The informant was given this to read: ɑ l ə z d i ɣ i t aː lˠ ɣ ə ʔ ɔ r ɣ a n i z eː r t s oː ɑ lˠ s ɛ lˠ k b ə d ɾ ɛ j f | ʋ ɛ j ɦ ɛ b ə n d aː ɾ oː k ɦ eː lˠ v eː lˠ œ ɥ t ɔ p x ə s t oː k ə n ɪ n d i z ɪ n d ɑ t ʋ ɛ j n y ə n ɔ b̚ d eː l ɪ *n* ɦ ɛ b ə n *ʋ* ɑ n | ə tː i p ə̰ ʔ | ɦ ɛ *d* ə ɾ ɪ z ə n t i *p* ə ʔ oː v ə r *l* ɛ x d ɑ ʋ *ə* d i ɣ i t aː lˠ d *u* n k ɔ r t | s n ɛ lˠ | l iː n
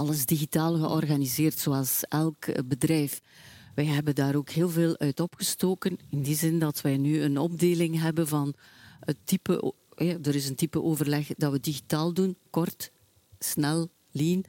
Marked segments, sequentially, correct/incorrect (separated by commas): incorrect, incorrect, correct, correct, correct, correct, correct